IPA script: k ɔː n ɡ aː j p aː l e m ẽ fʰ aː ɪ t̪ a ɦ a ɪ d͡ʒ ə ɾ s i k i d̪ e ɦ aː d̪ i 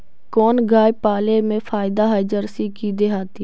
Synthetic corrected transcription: k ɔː n ɡ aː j p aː l e m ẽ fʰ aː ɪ d̪ a ɦ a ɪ d͡ʒ ə ɾ s i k i d̪ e ɦ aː t̪ i

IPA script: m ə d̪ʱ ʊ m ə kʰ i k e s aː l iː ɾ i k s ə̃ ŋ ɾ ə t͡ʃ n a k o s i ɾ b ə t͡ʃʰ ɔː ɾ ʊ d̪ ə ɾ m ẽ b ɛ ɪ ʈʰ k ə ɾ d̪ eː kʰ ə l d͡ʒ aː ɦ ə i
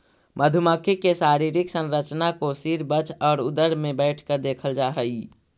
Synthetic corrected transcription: m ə d̪ʱ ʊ m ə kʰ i k e s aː ɾ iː ɾ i k s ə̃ n ɾ ə t͡ʃ n a k o s i ɾ b ə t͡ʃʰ ɔː ɾ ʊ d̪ ə ɾ m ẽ b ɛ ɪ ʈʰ k ə ɾ d̪ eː kʰ ə l d͡ʒ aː ɦ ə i

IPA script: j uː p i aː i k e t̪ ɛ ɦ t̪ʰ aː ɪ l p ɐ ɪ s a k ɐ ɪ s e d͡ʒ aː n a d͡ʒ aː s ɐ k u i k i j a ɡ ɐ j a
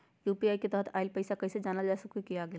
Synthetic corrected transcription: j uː p i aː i k e t̪ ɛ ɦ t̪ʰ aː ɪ l p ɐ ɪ s a k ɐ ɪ s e d͡ʒ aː n a d͡ʒ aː s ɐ k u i k i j a ɡ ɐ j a

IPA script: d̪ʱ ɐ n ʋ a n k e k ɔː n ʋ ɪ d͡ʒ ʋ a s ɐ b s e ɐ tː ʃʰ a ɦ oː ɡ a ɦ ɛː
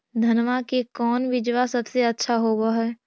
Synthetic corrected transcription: d̪ʱ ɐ n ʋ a k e k ɔː n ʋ ɪ d͡ʒ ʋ a s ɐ b s e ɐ tː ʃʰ a ɦ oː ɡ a ɦ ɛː

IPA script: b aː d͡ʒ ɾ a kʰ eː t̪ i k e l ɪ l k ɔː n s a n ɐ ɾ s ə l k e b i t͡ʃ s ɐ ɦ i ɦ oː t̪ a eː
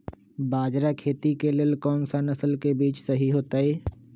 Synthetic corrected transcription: b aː d͡ʒ ɾ a kʰ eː t̪ i k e l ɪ l k ɔː n s a n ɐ s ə l k e b iː t͡ʃ s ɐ ɦ i ɦ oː t̪ a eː

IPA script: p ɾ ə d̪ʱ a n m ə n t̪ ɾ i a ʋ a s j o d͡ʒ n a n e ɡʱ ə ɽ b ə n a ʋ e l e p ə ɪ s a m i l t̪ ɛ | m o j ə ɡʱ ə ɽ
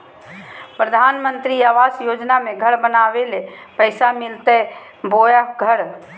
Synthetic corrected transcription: p ɾ ə d̪ʱ a n m ə n t̪ ɾ i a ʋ a s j o d͡ʒ n a m e ɡʱ ə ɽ b ə n a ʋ e l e p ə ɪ s a m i l t̪ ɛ | b o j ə ɡʱ ə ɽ

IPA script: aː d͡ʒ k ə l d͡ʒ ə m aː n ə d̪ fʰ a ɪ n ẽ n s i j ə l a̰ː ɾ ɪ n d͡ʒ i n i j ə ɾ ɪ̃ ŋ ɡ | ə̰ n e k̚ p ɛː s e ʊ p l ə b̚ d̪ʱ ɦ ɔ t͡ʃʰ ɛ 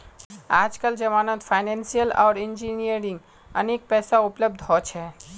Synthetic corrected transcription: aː d͡ʒ k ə l d͡ʒ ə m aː n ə t̪ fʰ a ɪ n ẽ n s i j ə l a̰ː ɾ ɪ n d͡ʒ i n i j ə ɾ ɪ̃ ŋ ɡ | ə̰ n e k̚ p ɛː s a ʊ p l ə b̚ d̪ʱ ɦ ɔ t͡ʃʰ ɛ

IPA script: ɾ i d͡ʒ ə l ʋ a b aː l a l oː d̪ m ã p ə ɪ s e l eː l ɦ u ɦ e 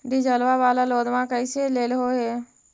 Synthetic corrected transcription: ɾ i d͡ʒ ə l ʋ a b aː l a l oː d̪ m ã k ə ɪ s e l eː l ɦ o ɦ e

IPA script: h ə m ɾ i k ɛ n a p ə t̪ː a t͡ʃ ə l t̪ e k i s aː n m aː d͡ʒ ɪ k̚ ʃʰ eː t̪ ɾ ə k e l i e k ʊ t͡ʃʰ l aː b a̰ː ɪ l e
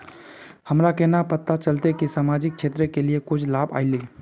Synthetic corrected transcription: h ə m ɾ a k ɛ n a p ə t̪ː a t͡ʃ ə l t̪ e k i s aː m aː d͡ʒ ɪ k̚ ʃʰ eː t̪ ɾ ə k e l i e k ʊ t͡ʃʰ l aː b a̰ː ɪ l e

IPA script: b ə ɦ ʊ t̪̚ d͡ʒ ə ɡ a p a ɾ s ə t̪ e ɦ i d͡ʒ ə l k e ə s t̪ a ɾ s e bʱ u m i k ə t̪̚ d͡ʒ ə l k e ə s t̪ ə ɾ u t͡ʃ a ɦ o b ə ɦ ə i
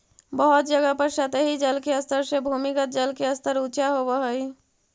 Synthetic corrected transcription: b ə ɦ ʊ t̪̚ d͡ʒ ə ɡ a p ə ɾ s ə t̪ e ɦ i d͡ʒ ə l k e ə s t̪ ə ɾ s e bʱ u m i k ə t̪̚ d͡ʒ ə l k e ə s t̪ ə ɾ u t͡ʃ a ɦ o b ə ɦ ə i

